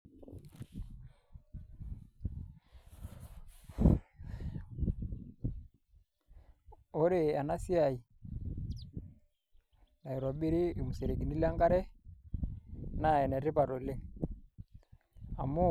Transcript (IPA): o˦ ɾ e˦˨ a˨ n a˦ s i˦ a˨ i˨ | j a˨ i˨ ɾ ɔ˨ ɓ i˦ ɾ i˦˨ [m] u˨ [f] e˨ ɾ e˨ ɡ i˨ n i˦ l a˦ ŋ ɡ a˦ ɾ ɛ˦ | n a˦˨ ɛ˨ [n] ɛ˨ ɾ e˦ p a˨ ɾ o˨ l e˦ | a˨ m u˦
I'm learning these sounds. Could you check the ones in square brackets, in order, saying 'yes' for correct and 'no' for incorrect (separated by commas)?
yes, no, yes